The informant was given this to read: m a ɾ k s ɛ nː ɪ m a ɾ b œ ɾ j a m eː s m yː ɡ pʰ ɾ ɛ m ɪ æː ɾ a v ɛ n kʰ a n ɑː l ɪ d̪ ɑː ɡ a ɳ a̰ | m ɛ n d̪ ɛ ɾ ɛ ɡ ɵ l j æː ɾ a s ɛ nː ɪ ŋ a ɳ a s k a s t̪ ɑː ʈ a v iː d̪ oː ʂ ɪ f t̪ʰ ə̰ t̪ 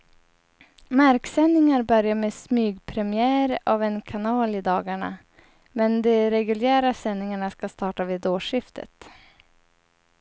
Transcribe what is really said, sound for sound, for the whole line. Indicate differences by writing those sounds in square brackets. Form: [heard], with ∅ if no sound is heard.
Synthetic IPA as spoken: m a ɾ k s ɛ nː ɪ [ŋ] a ɾ b œ ɾ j a m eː s m yː ɡ pʰ ɾ ɛ m ɪ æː ɾ a v ɛ n kʰ a n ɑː l ɪ d̪ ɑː ɡ a ɳ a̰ | m ɛ n d̪ ɛ ɾ ɛ ɡ ɵ l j æː ɾ a s ɛ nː ɪ ŋ a ɳ a s k a s t̪ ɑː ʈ a v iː d̪ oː ʂ ɪ f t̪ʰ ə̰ t̪

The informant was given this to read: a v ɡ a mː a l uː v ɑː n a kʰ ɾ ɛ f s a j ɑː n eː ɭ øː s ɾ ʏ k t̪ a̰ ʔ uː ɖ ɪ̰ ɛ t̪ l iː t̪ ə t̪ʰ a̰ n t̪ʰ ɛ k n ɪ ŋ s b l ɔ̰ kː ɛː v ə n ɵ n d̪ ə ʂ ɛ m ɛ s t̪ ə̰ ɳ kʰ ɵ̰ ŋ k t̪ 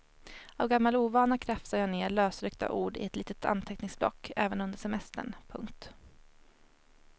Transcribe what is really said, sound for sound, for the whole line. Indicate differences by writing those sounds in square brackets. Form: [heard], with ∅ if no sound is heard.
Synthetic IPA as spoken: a v ɡ a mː a l uː v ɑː n a kʰ ɾ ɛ f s a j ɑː n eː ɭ øː s ɾ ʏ k t̪ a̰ ʔ uː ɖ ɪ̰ ɛ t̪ l iː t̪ ə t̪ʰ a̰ n t̪ʰ ɛ k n ɪ ŋ s b l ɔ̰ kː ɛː v ə n ɵ n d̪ ə ʂ ɛ m ɛ s t̪ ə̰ ɳ [pʰ] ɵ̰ ŋ k t̪

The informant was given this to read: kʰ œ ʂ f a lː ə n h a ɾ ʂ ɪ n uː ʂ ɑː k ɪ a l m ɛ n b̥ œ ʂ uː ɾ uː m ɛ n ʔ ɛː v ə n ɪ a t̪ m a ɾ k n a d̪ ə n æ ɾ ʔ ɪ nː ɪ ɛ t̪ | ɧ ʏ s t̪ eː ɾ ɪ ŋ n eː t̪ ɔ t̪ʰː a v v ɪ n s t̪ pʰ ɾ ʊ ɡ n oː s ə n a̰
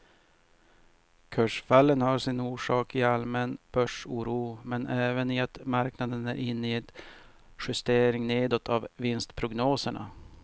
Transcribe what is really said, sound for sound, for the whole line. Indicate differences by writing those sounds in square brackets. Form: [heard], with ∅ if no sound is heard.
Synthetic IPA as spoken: kʰ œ ʂ f a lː ə n h a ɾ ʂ ɪ n uː ʂ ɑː k ɪ a l m ɛ n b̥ œ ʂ uː ɾ uː m ɛ n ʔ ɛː v ə n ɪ a t̪ m a ɾ k n a d̪ ə n æ ɾ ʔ ɪ nː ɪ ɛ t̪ | ɧ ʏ s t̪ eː ɾ ɪ ŋ n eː [d̪] ɔ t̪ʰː a v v ɪ n s t̪ pʰ ɾ ʊ ɡ n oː s ə [ɳ] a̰

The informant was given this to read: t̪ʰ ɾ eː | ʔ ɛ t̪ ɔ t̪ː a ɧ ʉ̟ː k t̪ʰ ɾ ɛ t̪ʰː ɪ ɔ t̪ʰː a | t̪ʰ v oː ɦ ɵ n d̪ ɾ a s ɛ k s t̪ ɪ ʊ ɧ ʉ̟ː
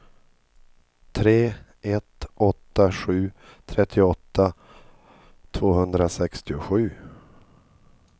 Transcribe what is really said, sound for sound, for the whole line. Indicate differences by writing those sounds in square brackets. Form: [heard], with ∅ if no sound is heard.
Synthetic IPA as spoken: t̪ʰ ɾ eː | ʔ ɛ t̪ ɔ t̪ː a ɧ ʉ̟ː [∅] t̪ʰ ɾ ɛ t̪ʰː ɪ ɔ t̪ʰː a | t̪ʰ v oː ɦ ɵ n d̪ ɾ a s ɛ k s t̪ ɪ ʊ ɧ ʉ̟ː

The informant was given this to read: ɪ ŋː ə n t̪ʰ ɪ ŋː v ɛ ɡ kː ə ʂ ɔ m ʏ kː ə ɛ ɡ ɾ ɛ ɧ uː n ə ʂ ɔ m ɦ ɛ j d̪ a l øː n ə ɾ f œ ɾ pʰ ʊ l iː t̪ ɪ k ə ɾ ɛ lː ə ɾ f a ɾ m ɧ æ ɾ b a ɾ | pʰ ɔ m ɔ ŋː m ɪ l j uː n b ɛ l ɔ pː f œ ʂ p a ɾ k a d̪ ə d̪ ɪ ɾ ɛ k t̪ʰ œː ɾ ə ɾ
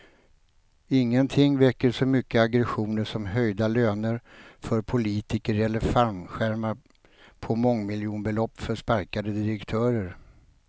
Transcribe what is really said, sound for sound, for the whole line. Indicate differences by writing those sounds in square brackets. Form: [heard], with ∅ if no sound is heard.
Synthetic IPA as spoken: ɪ ŋː ə n t̪ʰ ɪ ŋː v ɛ [∅] kː ə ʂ ɔ m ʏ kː ə [a] ɡ ɾ ɛ ɧ uː n ə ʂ ɔ m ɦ [œ] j d̪ a l øː n ə ɾ f œ ɾ pʰ ʊ l iː t̪ ɪ k ə ɾ ɛ lː ə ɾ f a ɾ m ɧ æ ɾ [m] a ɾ | pʰ ɔ m ɔ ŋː m ɪ l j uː n b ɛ l ɔ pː f œ ʂ p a ɾ k a d̪ ə d̪ ɪ ɾ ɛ k t̪ʰ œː ɾ ə ɾ

